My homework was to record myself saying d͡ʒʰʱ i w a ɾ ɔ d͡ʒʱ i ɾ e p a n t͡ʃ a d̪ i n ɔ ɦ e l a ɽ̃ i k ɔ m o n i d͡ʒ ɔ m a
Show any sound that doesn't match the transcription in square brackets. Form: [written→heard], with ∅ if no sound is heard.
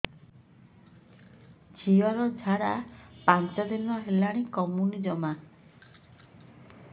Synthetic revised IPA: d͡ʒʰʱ i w a ɾ ɔ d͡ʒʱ [i→a] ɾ [e→a] p a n t͡ʃ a d̪ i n ɔ ɦ e l a ɽ̃ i k ɔ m [o→u] n i d͡ʒ ɔ m a